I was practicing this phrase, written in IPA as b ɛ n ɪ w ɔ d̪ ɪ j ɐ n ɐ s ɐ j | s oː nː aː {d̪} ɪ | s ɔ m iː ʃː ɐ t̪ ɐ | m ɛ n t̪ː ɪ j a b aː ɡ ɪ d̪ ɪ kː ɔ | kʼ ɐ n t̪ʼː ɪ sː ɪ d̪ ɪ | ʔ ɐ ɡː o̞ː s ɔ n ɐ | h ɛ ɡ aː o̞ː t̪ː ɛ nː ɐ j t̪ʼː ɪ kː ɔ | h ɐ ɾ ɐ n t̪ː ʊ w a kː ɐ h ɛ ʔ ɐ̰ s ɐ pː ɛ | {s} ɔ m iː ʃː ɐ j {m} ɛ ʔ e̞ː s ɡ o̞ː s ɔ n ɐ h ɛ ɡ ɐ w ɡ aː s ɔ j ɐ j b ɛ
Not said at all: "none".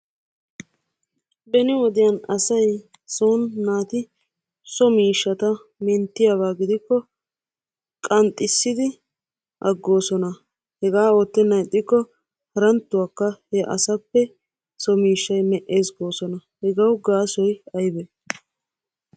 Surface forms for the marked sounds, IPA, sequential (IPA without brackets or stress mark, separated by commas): t̪, s, m